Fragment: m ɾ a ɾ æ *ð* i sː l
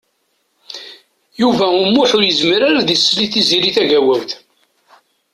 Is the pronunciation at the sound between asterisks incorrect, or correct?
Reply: correct